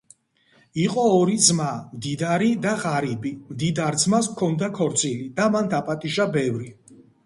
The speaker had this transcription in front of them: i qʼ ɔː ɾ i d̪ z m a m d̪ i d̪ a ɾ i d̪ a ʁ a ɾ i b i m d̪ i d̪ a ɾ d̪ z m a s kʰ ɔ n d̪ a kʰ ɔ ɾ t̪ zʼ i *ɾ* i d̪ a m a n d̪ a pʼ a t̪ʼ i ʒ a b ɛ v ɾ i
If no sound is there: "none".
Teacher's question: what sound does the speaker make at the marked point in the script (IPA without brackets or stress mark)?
l